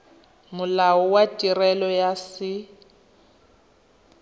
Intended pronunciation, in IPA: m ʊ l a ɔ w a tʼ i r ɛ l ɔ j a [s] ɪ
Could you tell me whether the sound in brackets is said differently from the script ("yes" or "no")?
no